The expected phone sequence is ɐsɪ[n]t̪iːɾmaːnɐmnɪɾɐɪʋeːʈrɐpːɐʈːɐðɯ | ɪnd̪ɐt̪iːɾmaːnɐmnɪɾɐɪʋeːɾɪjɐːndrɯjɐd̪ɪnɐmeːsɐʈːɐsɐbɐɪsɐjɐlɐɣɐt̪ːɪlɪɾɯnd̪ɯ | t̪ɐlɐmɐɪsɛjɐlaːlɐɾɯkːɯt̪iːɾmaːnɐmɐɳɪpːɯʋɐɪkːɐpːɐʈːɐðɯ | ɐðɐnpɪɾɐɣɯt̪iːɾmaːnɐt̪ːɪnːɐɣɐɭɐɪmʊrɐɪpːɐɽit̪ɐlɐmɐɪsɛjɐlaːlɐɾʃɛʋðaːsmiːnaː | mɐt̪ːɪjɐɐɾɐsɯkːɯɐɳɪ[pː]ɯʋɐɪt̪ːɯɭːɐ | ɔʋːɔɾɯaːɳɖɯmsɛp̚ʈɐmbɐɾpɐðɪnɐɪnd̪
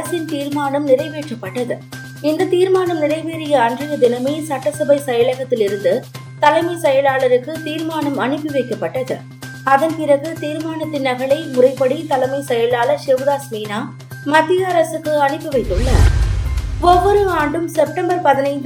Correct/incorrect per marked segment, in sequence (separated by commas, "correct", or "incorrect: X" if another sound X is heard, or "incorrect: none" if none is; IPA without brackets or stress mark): correct, correct